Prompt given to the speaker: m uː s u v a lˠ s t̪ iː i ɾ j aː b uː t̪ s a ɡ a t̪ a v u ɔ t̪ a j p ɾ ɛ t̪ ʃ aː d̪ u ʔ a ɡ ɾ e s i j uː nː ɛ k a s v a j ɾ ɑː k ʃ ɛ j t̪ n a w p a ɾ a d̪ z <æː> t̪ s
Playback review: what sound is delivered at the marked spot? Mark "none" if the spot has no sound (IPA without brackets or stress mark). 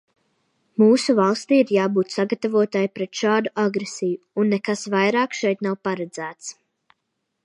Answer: æː